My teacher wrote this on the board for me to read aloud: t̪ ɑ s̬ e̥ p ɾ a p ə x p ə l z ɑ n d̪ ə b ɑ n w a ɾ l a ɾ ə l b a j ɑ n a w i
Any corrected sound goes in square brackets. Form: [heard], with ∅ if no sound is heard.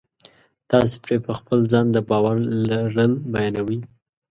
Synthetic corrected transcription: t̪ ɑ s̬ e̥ p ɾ [e] p ə x p ə l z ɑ n d̪ ə b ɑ [∅] w a ɾ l a ɾ ə l b a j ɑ n a w i